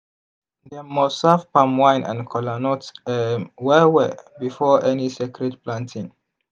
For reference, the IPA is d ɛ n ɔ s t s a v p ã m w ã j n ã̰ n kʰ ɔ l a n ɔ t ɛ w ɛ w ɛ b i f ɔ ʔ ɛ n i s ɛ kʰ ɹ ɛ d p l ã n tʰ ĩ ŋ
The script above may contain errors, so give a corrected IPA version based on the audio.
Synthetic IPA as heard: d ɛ m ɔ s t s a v p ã m w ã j n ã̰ n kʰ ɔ l a n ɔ t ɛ w ɛ w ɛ b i f ɔ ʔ ɛ n i s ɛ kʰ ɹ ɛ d p l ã n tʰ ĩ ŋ

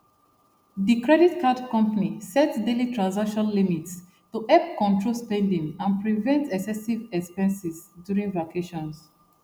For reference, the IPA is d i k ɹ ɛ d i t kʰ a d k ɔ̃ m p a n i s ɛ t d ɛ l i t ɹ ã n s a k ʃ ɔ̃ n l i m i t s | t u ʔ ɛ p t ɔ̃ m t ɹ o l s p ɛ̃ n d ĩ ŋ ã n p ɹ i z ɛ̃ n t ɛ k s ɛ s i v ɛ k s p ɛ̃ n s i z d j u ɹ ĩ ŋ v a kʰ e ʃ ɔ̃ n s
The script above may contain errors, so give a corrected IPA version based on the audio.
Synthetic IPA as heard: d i k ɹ ɛ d i t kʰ a d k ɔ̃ m p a n i s ɛ t d e l i t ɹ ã n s a k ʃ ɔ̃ n l i m i t s | t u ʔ ɛ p k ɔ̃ n t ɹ o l s p ɛ̃ n d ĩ ŋ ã n p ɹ i v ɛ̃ n t ɛ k s ɛ s i v ɛ k s p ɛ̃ n s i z d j u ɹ ĩ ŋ v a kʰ e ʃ ɔ̃ n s

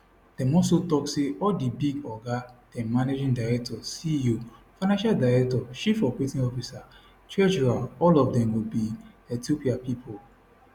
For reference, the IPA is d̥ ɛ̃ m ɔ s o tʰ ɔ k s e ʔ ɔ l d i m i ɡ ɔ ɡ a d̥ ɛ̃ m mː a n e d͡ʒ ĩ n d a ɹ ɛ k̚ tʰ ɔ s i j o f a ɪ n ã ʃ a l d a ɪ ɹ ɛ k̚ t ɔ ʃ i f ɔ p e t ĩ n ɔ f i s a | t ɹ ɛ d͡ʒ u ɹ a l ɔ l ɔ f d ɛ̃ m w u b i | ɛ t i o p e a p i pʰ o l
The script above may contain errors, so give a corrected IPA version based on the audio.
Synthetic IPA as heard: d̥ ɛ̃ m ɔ s o t ɔ k s e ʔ ɔ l d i b i ɡ ɔ ɡ a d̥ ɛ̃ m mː a n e d͡ʒ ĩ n d a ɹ ɛ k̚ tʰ ɔ s i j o f a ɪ n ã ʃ a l d a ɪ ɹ ɛ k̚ t ɔ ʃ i f ɔ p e t ĩ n ɔ f i s a | t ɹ ɛ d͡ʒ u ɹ a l ɔ l ɔ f d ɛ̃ m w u b i | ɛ t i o p i a p i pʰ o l

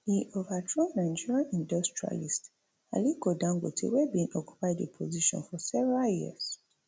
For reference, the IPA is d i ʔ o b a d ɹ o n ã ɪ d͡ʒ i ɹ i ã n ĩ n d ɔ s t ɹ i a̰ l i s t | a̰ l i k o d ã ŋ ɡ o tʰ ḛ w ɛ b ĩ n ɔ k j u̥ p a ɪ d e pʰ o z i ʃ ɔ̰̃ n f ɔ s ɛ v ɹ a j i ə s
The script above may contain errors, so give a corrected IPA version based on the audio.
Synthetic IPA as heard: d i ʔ o v a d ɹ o n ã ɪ d͡ʒ i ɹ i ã n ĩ n d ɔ s t ɹ i a̰ l i s t | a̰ l i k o d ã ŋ ɡ o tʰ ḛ w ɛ b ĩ n ɔ k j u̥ p a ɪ d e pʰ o z i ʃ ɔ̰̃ n f ɔ s ɛ v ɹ a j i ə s

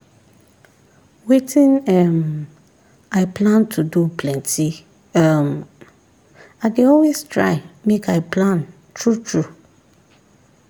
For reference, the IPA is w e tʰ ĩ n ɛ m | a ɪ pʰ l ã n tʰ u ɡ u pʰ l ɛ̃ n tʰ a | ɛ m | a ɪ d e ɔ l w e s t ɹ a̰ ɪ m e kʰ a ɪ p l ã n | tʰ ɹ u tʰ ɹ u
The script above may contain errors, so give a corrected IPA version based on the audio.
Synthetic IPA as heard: w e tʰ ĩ n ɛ m | a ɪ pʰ l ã n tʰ u d u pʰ l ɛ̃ n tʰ i | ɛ m | a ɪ d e ɔ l w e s t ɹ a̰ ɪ m e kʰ a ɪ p l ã n | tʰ ɹ u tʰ ɹ u

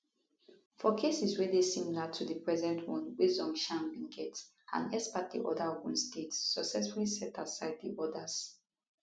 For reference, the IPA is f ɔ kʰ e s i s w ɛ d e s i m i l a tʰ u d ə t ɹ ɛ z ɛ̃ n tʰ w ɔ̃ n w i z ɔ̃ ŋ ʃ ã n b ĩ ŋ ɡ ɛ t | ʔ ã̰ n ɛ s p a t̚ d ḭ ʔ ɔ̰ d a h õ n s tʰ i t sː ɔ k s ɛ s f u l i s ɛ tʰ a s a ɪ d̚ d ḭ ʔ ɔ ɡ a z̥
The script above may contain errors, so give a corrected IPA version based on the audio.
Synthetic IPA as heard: f ɔ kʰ e s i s w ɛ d e s i m i l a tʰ u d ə p ɹ ɛ z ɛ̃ n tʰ w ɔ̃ n w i z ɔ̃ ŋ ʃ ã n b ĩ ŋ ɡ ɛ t | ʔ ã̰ n ɛ s p a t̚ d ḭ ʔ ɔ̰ d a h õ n s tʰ e t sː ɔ k s ɛ s f u l i s ɛ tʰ a s a ɪ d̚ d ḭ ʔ ɔ d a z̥

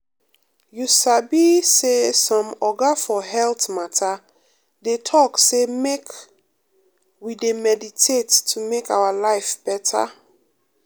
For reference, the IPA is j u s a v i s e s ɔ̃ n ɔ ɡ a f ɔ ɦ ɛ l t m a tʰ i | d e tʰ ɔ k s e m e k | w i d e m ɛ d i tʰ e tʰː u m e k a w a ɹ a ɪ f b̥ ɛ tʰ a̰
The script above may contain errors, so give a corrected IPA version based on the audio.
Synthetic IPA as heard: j u s a b i s e s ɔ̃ m ɔ ɡ a f ɔ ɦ ɛ l t m a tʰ a | d e tʰ ɔ k s e m e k | w i d e m ɛ d i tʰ e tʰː u m e k a w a l a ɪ f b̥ ɛ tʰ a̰

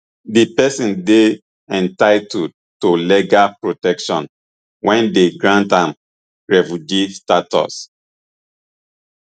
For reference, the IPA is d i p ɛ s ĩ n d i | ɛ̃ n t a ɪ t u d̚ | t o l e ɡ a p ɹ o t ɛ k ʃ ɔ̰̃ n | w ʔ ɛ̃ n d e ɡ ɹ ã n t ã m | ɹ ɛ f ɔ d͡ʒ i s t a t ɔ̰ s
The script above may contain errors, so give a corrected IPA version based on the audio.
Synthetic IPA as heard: d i p ɛ s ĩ n d e | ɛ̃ n t a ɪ t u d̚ | t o l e ɡ a p ɹ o t ɛ k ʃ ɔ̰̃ n | w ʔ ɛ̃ n d e ɡ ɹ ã n t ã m | ɹ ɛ f u d͡ʒ i s t a t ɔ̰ s

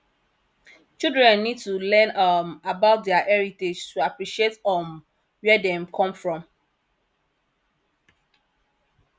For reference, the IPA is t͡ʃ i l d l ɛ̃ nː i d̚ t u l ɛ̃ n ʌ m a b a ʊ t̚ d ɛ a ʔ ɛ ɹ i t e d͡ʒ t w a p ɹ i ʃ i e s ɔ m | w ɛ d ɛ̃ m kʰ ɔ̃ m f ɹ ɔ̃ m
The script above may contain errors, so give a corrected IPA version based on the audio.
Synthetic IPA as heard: t͡ʃ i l d ɹ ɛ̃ nː i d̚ t u l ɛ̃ n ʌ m a b a ʊ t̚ d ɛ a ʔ ɛ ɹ i t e d͡ʒ t u a p ɹ i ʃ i e t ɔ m | w ɛ d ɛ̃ m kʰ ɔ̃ m f ɹ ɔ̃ m

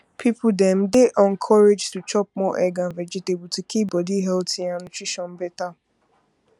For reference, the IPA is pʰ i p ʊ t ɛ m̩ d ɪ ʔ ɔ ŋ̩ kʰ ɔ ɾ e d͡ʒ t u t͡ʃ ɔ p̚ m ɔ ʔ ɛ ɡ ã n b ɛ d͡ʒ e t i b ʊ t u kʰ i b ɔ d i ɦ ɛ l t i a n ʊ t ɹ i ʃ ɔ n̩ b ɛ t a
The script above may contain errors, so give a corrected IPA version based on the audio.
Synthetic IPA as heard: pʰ i p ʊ d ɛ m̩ d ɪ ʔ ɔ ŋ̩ kʰ ɔ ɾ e d͡ʒ t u t͡ʃ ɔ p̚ m ɔ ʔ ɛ ɡ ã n v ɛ d͡ʒ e t e b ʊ t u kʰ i b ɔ d i ɦ ɛ l t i a n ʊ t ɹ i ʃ ɔ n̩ b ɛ t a

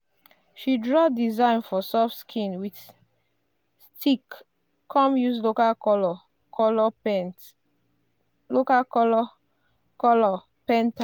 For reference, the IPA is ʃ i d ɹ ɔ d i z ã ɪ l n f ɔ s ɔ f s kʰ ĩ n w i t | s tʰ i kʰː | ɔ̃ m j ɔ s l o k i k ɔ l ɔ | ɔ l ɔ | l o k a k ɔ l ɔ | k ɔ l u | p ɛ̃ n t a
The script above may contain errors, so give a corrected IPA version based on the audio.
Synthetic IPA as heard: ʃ i d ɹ ɔ d i z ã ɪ n f ɔ s ɔ f s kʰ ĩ n w i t | s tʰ i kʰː | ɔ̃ m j u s l o k a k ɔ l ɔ | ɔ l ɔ | l o k a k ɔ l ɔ | k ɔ l ɔ | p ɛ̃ n t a

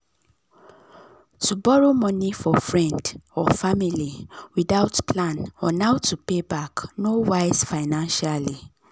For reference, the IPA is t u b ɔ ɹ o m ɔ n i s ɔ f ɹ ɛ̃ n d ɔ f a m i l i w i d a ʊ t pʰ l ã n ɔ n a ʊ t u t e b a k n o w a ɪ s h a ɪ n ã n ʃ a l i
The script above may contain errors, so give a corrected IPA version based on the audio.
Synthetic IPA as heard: t u b ɔ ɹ o m ɔ n i f ɔ f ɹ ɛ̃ n d ɔ f a m i l i w i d a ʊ t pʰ l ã n ɔ n a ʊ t u p e b a k n o w a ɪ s f a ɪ n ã n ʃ a l i

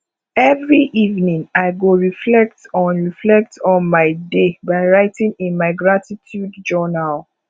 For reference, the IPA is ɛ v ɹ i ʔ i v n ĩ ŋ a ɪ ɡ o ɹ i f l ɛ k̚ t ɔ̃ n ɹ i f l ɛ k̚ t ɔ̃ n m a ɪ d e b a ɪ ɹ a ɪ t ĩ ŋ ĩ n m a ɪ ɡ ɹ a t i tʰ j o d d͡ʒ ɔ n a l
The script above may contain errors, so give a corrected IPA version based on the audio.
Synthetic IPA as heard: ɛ v ɹ i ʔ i v n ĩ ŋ a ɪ ɡ o ɹ i f l ɛ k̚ t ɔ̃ n ɹ i f l ɛ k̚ t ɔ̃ n m a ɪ d e b a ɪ ɹ a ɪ t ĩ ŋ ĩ n m a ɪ ɡ ɹ a t i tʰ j u d d͡ʒ ɔ n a l

